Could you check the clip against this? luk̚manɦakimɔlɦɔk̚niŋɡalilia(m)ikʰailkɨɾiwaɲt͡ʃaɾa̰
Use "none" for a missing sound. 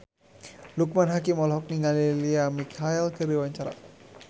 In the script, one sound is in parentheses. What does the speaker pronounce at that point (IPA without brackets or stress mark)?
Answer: m